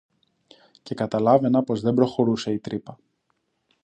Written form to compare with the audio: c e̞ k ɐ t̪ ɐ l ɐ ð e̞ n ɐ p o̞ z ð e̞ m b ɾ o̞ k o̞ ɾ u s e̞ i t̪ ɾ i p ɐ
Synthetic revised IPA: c e̞ k ɐ t̪ ɐ l ɐ v e̞ n ɐ p o̞ z ð e̞ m b ɾ o̞ x o̞ ɾ u s e̞ i t̪ ɾ i p ɐ